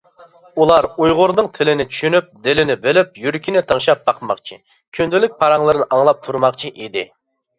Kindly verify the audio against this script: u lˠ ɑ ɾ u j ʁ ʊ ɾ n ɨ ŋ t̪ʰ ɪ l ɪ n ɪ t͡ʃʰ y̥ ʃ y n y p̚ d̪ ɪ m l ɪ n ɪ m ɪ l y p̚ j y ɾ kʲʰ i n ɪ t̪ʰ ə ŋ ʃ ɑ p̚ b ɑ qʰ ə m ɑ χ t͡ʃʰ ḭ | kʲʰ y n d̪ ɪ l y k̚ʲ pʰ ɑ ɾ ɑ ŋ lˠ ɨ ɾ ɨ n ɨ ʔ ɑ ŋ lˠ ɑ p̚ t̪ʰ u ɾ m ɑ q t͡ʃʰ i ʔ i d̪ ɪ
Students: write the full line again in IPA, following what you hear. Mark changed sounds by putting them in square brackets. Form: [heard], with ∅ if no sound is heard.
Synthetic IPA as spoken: u lˠ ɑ ɾ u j ʁ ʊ ɾ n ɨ ŋ t̪ʰ ɪ l ɪ n ɪ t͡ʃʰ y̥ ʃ y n y p̚ d̪ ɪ [∅] l ɪ n ɪ [b] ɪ l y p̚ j y ɾ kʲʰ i n ɪ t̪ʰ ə ŋ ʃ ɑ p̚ b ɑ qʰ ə m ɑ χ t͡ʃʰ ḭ | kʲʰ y n d̪ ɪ l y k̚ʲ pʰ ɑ ɾ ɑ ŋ lˠ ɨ ɾ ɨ n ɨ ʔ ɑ ŋ lˠ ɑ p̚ t̪ʰ u ɾ m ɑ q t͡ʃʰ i ʔ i d̪ ɪ